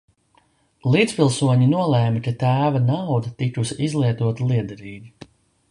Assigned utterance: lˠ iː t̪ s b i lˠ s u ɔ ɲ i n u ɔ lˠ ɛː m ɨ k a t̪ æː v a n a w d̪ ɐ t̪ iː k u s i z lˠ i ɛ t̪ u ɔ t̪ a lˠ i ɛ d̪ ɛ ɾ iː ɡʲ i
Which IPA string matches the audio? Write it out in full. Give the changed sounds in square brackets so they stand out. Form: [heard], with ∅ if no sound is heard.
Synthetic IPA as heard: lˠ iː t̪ s [p] i lˠ s u ɔ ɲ i n u ɔ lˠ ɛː m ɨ k a t̪ æː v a n a w d̪ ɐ t̪ [i] k u s i z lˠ i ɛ t̪ u ɔ t̪ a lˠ i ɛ d̪ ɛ ɾ iː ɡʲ i